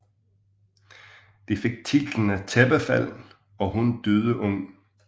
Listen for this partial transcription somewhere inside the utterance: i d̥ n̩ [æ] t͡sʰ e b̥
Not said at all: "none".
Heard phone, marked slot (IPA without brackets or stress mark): æ